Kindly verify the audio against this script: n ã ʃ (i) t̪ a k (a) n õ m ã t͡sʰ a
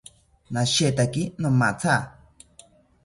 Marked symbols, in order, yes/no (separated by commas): no, no